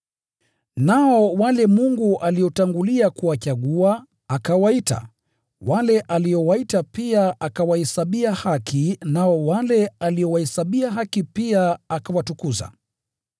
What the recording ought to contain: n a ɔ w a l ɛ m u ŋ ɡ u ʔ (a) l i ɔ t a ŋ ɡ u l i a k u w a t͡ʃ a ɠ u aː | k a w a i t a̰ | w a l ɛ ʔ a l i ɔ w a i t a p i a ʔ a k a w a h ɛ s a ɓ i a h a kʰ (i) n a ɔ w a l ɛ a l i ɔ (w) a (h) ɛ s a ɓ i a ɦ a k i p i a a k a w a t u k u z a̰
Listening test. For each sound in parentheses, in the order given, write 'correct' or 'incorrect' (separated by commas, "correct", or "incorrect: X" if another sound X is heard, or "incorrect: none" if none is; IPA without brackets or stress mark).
correct, correct, correct, correct